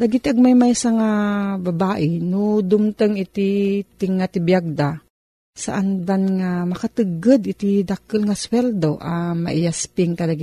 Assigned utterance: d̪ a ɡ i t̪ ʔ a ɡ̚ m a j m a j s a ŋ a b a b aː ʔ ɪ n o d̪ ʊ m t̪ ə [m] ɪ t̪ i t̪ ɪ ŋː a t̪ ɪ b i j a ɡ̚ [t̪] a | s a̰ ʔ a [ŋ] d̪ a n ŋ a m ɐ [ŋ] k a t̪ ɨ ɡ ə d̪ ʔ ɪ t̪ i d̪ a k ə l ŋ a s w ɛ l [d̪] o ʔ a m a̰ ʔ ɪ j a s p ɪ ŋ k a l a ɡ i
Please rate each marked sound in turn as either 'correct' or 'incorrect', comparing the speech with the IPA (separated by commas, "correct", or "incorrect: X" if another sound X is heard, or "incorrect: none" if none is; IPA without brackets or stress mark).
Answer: incorrect: ŋ, incorrect: d̪, incorrect: n, incorrect: none, correct